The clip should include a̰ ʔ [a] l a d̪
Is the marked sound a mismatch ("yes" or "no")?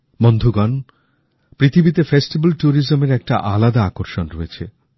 no